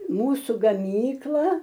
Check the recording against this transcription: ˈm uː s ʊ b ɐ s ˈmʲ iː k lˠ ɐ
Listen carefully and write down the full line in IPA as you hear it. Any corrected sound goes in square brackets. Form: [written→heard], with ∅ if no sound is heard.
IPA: ˈm uː s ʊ [b→ɡ] ɐ [s→∅] ˈmʲ iː k lˠ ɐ